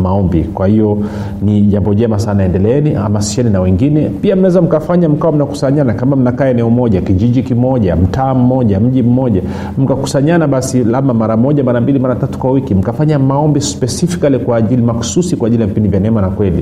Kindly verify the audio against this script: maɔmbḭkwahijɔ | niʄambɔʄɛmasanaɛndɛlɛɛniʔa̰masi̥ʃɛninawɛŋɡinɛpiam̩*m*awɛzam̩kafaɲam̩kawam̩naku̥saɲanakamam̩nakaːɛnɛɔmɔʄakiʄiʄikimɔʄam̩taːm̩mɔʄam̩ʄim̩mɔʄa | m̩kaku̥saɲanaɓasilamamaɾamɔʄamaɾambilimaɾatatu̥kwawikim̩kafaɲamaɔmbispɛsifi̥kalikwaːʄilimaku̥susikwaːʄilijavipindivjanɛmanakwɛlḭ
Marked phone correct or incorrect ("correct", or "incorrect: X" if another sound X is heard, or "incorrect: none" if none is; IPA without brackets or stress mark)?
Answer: incorrect: n